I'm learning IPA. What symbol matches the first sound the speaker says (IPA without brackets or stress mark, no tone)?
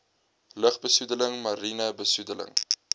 l